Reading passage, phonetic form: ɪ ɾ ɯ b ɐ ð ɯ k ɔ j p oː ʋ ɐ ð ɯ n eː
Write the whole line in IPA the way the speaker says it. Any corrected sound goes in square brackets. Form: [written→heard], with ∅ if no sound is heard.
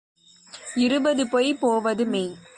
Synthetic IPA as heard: ɪ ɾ ɯ b ɐ ð ɯ [k→p] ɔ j p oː ʋ ɐ ð ɯ [n→m] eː